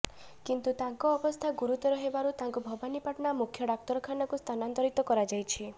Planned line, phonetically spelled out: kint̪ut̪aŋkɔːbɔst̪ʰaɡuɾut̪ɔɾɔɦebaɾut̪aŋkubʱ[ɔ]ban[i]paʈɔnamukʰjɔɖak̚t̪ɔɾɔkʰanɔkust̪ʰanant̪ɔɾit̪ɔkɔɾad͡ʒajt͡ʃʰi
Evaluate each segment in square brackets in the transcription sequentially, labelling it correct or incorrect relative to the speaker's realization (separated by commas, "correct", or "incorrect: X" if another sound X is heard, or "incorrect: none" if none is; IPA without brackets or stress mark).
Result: correct, correct